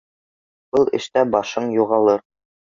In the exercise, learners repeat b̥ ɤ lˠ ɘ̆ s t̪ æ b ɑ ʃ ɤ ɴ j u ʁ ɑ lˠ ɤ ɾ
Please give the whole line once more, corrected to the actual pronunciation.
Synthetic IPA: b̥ ɤ lˠ ɘ̆ ʃ t̪ æ b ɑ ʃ ɤ ɴ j u ʁ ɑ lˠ ɤ ɾ